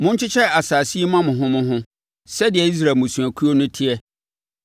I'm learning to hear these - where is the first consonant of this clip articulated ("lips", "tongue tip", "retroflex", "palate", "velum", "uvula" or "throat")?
lips